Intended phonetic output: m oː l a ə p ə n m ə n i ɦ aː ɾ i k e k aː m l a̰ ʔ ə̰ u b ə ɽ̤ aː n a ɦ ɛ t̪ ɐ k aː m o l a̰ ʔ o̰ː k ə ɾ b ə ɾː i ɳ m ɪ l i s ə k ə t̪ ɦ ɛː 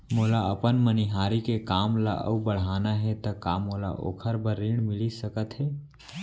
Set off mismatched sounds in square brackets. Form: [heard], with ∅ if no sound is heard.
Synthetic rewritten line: m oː l a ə p ə n m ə n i ɦ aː ɾ i k e k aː m l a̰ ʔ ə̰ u b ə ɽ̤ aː n a ɦ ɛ t̪ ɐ k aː m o l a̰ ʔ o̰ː [kʰ] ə ɾ b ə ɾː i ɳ m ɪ l i s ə k ə t̪ ɦ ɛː